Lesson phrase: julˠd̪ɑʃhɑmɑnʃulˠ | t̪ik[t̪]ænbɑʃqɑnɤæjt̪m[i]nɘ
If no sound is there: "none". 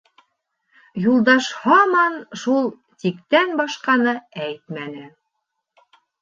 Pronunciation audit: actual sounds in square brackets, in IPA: t̪, æ

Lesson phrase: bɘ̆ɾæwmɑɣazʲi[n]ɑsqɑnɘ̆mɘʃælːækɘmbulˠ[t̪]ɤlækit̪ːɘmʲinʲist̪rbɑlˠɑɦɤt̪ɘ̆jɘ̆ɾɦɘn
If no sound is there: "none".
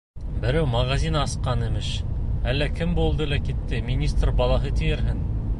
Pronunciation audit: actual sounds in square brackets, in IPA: n, d̪

